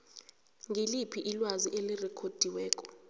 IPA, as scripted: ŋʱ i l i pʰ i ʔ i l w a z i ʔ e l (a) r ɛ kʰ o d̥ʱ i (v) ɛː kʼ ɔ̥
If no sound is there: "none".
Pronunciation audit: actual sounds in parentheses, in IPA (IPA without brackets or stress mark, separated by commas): i, w